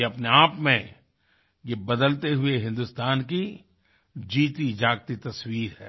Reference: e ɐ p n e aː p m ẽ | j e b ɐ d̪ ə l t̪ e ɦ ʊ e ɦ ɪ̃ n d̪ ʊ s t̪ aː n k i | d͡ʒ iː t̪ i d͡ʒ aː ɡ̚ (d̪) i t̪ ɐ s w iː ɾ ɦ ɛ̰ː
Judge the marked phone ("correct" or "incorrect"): incorrect